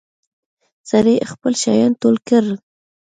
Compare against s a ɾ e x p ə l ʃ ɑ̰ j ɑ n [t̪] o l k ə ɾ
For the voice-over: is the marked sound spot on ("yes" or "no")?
yes